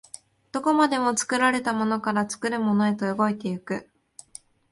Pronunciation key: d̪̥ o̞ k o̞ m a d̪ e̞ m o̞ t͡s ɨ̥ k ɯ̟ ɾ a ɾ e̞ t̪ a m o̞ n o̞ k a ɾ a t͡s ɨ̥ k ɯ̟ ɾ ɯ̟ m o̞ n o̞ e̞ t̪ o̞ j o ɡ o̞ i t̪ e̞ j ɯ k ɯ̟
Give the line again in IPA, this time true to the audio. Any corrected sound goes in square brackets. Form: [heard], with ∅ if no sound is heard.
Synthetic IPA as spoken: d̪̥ o̞ k o̞ m a d̪ e̞ m o̞ t͡s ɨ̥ k ɯ̟ ɾ a ɾ e̞ t̪ a m o̞ n o̞ k a ɾ a t͡s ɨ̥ k ɯ̟ ɾ ɯ̟ m o̞ n o̞ e̞ t̪ o̞ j o ɡ o̞ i t̪ e̞ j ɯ k ɯ̟